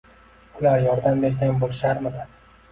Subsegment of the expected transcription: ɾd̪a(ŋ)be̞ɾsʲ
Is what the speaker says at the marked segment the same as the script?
no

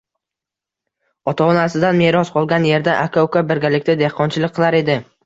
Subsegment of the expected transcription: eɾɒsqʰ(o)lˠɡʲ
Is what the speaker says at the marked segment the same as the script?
no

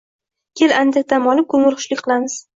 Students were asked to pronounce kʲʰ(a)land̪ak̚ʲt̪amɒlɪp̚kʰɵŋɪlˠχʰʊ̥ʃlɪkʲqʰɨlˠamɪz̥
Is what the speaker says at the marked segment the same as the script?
no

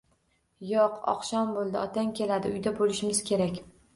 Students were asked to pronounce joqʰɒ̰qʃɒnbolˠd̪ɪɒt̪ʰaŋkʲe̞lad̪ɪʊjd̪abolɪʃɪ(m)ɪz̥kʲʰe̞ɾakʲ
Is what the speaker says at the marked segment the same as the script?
yes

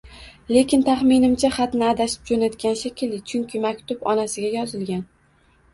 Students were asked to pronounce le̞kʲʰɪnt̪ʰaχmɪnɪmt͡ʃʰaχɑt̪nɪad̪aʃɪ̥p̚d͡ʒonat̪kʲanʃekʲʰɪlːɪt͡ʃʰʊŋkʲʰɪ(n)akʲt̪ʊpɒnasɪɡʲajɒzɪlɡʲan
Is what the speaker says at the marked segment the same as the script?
no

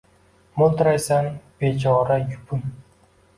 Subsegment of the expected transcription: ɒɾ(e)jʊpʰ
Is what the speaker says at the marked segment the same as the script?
no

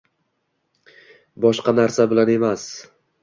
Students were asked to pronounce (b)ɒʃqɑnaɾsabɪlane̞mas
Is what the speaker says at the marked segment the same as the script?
yes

